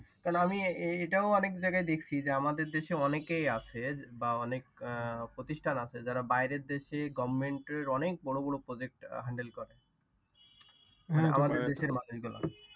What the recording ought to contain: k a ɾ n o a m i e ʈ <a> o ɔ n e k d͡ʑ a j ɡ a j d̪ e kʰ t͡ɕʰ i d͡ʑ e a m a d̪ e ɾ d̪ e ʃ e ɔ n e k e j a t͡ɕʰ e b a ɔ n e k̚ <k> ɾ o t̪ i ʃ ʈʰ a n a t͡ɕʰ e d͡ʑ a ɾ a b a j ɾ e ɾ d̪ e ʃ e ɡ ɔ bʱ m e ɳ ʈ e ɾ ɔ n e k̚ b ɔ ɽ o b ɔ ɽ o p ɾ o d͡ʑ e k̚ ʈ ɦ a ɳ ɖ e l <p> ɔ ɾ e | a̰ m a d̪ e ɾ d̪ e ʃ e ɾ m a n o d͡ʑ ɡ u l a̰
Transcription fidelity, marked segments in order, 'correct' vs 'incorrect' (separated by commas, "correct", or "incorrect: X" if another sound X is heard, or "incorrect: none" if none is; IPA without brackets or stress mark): correct, incorrect: p, incorrect: k